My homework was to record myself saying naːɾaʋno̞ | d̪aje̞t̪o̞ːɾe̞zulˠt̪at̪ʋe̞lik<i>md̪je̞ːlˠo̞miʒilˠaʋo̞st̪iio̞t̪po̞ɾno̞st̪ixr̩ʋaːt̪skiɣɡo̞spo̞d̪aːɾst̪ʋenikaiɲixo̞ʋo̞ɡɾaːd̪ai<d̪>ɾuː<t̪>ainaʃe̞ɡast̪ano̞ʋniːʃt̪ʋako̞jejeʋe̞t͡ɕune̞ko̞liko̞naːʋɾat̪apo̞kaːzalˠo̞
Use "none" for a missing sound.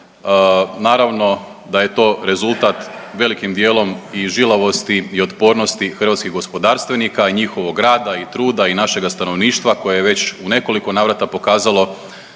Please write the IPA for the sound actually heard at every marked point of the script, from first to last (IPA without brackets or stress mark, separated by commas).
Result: i, t̪, d̪